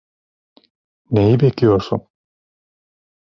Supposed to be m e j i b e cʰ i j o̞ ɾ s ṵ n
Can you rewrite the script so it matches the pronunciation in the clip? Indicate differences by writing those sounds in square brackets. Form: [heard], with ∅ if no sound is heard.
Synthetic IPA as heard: [n] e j i b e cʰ i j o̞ ɾ s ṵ n

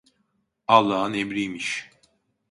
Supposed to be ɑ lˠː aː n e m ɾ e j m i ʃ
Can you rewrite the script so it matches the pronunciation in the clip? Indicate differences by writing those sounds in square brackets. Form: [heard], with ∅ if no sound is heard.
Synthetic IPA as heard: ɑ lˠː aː n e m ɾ [i] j m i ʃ

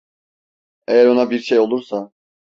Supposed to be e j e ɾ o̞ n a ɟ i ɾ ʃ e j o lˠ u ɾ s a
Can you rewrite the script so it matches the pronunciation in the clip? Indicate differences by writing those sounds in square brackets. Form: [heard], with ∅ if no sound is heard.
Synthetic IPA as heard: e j [æ] ɾ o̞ n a [b] i ɾ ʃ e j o lˠ u ɾ s a

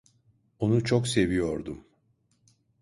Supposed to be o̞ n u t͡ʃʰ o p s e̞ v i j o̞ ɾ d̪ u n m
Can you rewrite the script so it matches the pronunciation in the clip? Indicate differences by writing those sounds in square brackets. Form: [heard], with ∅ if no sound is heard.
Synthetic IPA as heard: o̞ n u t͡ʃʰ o [k] s e̞ v i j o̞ ɾ d̪ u [∅] m

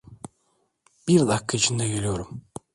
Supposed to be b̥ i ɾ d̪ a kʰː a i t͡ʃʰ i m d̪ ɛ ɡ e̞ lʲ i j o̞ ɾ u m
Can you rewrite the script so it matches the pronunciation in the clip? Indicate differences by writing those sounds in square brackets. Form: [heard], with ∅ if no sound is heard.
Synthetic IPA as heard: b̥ i ɾ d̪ a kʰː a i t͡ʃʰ i [n] d̪ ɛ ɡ e̞ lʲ i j o̞ ɾ u m

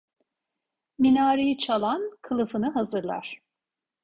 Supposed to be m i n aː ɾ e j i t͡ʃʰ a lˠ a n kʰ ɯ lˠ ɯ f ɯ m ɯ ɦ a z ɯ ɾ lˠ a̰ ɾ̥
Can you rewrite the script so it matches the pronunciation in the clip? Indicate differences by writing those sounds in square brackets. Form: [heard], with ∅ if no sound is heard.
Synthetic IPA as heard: m i n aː ɾ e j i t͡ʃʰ a lˠ a n kʰ ɯ lˠ ɯ f ɯ [n] ɯ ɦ a z ɯ ɾ lˠ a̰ ɾ̥

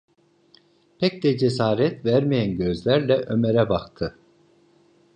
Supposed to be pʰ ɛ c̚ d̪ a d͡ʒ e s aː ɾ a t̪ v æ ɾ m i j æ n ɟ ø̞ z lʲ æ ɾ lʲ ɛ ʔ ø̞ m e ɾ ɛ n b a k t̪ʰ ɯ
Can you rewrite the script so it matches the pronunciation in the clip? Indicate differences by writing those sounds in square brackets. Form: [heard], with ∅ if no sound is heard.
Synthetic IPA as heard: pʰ ɛ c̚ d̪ [ɛ] d͡ʒ e s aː ɾ [ɛ] t̪ v æ ɾ m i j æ n ɟ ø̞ z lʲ æ ɾ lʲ ɛ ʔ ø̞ m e ɾ ɛ [∅] b a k t̪ʰ ɯ

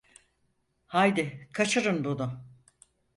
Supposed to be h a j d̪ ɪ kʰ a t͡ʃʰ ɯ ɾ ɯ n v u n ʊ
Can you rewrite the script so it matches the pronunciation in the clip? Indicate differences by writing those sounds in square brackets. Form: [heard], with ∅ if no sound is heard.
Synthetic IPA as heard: h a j d̪ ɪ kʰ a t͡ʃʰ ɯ ɾ ɯ n [b] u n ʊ

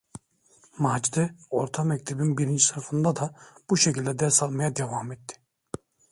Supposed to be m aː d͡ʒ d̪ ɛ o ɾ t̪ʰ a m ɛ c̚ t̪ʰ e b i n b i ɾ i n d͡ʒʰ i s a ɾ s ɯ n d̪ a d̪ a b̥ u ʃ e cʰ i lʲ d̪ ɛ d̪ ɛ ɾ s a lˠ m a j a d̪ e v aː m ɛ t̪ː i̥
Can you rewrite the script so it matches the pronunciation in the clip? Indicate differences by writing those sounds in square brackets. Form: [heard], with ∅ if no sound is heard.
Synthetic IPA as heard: m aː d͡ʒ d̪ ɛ o ɾ t̪ʰ a m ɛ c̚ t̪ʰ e b i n b i ɾ i n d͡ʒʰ i s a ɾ [f] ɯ n d̪ a d̪ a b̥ u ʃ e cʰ i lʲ d̪ ɛ d̪ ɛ ɾ s a lˠ m a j a d̪ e v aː m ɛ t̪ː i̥

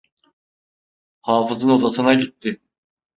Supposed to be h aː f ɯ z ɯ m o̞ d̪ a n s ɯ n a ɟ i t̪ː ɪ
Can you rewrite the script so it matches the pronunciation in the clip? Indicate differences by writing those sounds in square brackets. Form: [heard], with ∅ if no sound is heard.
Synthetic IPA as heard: h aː f ɯ z ɯ [n] o̞ d̪ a [∅] s ɯ n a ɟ i t̪ː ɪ

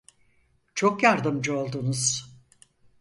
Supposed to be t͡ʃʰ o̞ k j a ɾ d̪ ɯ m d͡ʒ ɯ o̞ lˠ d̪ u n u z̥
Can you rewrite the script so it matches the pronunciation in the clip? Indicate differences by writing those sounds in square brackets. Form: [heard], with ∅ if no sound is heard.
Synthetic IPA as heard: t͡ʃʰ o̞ k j a ɾ d̪ ɯ m d͡ʒ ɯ o̞ lˠ d̪ u n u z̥

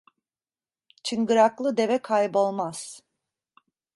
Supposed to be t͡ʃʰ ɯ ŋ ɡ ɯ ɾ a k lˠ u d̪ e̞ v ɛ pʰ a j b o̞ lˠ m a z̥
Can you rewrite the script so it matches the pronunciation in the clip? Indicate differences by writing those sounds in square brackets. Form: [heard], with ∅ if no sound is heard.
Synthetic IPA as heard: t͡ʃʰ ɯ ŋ ɡ ɯ ɾ a k lˠ [ɯ] d̪ e̞ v ɛ [kʰ] a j b o̞ lˠ m a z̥

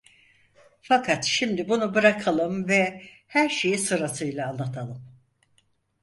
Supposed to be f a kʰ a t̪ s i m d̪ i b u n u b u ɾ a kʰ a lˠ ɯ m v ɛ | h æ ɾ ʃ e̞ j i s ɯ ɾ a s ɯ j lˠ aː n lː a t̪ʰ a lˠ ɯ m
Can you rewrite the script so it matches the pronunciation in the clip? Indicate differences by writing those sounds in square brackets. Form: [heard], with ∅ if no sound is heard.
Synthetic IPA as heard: f a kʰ a t̪ [ʃ] i m d̪ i b u n u b [ɯ] ɾ a kʰ a lˠ ɯ m v ɛ | h æ ɾ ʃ e̞ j i s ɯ ɾ a s ɯ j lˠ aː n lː a t̪ʰ a lˠ ɯ m

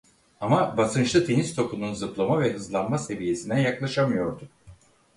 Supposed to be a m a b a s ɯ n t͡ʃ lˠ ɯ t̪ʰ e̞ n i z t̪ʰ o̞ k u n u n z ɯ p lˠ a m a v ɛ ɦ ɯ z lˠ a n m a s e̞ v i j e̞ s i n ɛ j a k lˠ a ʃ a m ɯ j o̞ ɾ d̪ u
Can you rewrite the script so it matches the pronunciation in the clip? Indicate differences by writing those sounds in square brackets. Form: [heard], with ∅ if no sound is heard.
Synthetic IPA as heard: a m a b a s ɯ n t͡ʃ lˠ ɯ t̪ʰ e̞ n i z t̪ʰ o̞ k u n u n z ɯ p lˠ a m a v ɛ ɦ ɯ z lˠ a n m a s e̞ v i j e̞ s i n ɛ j a k lˠ a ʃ a m ɯ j o̞ ɾ d̪ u

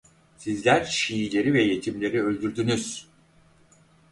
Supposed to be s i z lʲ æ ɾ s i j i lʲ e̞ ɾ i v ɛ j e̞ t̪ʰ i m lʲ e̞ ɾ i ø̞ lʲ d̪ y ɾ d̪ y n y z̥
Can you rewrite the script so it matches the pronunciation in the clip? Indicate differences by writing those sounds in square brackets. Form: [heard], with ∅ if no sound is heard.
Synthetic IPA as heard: s i z lʲ æ ɾ [ʃ] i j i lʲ e̞ ɾ i v ɛ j e̞ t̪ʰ i m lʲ e̞ ɾ i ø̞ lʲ d̪ y ɾ d̪ y n y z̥

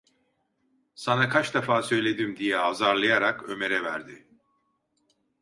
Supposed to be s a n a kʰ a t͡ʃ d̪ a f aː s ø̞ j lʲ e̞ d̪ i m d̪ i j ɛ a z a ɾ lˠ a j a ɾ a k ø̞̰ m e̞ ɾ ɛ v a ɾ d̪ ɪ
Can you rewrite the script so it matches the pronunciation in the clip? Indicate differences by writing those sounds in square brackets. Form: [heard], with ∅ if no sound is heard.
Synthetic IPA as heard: s a n a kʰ a t͡ʃ d̪ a f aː s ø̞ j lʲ e̞ d̪ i m d̪ i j ɛ a z a ɾ lˠ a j a ɾ a k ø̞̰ m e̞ ɾ ɛ v [æ] ɾ d̪ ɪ

